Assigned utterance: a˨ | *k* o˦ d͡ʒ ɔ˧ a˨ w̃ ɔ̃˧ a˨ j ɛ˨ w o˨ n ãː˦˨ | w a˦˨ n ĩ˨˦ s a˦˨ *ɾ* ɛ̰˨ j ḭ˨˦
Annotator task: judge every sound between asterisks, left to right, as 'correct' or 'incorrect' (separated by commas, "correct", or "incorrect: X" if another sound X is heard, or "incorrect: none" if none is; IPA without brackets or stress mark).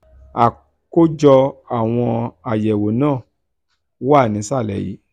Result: correct, incorrect: l